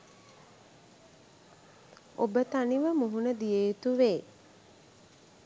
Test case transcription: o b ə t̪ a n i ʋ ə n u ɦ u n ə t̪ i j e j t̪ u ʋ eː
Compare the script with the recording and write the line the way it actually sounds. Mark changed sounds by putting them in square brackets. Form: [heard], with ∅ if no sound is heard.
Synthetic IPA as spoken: o b ə t̪ a n i ʋ ə [m] u ɦ u n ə [d̪] i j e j t̪ u ʋ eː